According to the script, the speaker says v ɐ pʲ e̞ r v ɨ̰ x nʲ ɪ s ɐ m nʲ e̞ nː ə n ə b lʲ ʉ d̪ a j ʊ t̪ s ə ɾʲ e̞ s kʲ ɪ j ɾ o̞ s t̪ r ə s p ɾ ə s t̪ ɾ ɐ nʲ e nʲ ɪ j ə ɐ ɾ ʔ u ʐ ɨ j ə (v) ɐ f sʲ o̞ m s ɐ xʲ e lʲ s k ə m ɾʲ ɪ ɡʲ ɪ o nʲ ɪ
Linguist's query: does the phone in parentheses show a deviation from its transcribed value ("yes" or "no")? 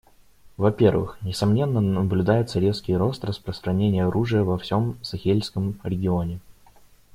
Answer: no